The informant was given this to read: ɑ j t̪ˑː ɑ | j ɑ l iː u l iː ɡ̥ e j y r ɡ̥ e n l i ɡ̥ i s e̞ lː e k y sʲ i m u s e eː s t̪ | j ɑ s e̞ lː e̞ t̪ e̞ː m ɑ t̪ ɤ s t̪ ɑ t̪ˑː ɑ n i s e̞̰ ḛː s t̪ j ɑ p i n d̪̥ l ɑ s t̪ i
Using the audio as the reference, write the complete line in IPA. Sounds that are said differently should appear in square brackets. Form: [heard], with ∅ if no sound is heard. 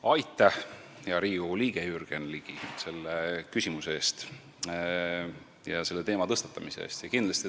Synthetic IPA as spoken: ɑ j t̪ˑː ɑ | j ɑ [ɾ] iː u l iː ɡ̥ e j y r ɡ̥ e n l i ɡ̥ i s e̞ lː e k y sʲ i m u s e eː s t̪ | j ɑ s e̞ lː e̞ t̪ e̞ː m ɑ t̪ ɤ s t̪ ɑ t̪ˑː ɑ [m] i s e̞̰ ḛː s t̪ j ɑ [k] i n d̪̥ l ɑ s t̪ i

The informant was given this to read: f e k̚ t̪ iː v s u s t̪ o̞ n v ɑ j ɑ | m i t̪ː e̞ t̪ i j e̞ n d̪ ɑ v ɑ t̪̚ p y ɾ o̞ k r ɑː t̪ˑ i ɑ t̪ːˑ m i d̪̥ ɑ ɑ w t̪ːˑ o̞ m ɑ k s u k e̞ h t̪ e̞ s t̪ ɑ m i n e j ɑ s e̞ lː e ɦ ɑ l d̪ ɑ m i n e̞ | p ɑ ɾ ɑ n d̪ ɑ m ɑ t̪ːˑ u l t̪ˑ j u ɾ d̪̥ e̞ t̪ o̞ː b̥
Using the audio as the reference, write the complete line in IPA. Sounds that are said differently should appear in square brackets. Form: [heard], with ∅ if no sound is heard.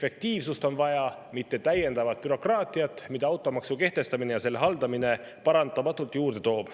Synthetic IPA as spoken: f e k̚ t̪ iː v s u s t̪ o̞ n v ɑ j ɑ | m i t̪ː e̞ t̪ [æ] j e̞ n d̪ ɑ v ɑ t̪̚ p y ɾ o̞ k r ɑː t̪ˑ i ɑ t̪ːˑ m i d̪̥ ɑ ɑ w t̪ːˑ o̞ m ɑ k s u k e̞ h t̪ e̞ s t̪ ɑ m i n e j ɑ s e̞ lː e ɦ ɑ l d̪ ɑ m i n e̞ | p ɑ ɾ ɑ n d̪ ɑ m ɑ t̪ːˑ u l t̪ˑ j [uː] ɾ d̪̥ e̞ t̪ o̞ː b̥

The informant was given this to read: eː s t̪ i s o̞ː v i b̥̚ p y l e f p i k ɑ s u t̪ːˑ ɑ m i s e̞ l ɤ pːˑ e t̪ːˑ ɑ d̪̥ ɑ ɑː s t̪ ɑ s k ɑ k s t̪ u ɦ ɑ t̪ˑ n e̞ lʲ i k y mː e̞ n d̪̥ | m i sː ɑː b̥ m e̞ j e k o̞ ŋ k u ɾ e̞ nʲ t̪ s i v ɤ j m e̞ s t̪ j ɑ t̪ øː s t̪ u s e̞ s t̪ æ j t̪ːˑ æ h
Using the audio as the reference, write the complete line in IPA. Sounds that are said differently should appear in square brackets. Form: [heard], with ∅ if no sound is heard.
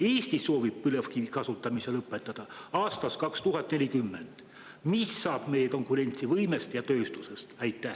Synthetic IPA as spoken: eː s t̪ i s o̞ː v i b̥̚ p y l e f [k] i k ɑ s u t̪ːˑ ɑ m i s e̞ l ɤ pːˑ e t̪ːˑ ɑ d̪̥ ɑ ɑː s t̪ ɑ s k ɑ k s t̪ u ɦ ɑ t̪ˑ n e̞ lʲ i k y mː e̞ n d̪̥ | m i sː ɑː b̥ m e̞ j e k o̞ ŋ k u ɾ e̞ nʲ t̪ s i v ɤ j m e̞ s t̪ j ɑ t̪ øː s t̪ u s e̞ s t̪ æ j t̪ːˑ æ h

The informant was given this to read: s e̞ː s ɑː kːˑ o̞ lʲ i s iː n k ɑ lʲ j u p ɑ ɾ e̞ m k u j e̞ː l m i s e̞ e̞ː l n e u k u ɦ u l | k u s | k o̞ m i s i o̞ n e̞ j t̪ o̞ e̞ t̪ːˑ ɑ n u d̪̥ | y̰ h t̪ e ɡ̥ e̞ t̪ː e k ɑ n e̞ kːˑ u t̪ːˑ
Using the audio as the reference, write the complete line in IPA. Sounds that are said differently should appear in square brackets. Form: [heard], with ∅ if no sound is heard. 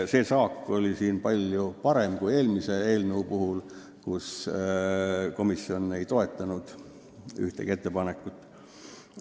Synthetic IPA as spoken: s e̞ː s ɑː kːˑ o̞ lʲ i s iː n [p] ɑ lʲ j u p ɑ ɾ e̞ m k u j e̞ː l m i s e̞ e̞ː l n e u [p] u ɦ u l | k u s | k o̞ m i s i o̞ n e̞ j t̪ o̞ e̞ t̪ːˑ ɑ n u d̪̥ | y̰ h t̪ e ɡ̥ e̞ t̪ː e [p] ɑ n e̞ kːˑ u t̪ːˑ

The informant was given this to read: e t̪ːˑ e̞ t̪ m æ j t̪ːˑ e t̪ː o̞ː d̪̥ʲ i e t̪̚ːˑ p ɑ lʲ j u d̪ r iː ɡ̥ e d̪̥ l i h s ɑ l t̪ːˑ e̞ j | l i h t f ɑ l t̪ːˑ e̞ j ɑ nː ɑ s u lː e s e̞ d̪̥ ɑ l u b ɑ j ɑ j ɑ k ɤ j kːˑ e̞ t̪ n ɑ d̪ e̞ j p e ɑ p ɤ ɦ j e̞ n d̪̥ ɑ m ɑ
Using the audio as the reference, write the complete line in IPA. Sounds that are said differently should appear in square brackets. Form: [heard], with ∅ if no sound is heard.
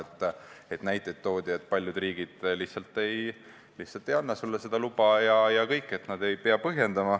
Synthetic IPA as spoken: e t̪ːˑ e̞ t̪ [n] æ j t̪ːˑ e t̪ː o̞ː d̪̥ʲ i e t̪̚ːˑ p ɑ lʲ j u d̪ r iː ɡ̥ [i] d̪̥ l i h s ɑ l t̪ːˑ e̞ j | l i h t [s] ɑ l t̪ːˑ e̞ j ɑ nː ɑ s u lː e s e̞ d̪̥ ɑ l u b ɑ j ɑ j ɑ k ɤ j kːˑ e̞ t̪ n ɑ d̪ e̞ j p e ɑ p ɤ ɦ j e̞ n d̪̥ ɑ m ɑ

